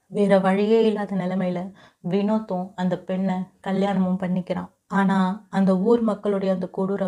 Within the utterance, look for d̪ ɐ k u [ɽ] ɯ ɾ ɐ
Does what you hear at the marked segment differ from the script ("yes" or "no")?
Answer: no